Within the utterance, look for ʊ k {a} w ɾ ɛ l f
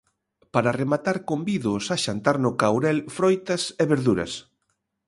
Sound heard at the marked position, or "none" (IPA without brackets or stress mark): a